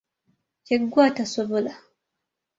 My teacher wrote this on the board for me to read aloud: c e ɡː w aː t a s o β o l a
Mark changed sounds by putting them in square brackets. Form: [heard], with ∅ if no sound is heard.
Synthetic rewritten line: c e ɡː w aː t a s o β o l a